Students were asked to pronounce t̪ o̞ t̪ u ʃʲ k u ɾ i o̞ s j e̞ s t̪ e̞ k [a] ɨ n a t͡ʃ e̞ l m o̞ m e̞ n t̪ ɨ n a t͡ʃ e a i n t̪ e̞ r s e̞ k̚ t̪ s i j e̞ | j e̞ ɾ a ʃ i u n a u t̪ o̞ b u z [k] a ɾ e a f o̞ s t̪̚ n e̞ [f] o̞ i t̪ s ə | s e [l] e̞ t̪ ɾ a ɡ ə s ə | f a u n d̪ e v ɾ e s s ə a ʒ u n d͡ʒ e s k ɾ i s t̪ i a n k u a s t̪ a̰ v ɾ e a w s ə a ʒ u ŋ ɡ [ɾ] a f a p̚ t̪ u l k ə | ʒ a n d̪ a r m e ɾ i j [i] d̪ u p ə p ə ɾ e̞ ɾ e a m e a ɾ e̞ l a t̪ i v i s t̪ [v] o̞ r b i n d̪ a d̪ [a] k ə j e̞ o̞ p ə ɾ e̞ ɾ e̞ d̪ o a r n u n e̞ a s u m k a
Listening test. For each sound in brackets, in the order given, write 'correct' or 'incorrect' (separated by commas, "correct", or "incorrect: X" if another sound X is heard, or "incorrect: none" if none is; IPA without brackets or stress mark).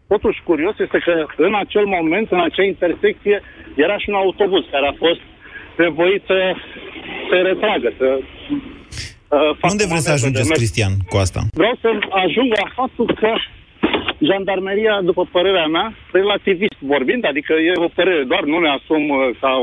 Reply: incorrect: ə, correct, incorrect: v, incorrect: ɾ, incorrect: l, incorrect: a, correct, incorrect: i